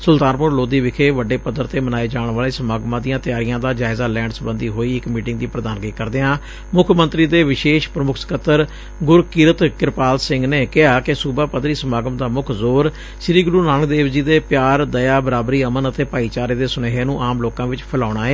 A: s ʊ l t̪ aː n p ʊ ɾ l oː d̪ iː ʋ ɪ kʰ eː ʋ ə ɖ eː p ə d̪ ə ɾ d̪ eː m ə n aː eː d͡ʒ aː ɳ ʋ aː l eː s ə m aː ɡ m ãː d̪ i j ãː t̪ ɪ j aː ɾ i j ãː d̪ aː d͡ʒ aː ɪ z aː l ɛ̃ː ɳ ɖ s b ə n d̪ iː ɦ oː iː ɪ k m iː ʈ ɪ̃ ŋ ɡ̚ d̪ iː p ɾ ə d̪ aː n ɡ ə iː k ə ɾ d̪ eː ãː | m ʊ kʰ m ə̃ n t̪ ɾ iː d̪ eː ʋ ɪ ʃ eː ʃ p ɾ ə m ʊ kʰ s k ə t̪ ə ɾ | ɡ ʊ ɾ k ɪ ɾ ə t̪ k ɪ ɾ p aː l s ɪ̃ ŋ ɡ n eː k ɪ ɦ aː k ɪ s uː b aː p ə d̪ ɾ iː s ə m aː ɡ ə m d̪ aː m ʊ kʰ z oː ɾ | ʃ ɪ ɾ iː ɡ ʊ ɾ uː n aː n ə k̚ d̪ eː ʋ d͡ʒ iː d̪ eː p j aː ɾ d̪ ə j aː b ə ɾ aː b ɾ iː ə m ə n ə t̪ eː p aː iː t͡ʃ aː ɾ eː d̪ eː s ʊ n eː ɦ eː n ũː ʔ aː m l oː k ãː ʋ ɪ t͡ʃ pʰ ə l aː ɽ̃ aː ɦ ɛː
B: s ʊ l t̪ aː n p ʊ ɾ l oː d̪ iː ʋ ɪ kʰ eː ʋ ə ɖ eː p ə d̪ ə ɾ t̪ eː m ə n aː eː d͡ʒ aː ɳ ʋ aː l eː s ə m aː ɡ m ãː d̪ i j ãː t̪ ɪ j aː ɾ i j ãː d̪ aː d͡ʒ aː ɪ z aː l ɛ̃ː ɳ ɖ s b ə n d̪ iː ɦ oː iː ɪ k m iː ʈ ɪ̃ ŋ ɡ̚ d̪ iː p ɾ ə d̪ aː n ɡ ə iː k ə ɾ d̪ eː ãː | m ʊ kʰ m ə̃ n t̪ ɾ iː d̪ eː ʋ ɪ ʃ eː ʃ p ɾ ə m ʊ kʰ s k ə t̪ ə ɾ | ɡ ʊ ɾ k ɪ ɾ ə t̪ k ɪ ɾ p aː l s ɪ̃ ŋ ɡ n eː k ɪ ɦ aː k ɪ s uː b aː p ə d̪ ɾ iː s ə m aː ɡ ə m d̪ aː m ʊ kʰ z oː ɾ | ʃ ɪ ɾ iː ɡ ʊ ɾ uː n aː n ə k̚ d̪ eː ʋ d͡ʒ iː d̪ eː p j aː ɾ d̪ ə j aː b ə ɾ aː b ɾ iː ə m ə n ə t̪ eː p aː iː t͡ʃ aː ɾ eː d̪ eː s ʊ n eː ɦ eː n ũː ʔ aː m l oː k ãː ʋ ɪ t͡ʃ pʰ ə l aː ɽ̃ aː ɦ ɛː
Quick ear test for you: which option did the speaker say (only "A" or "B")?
B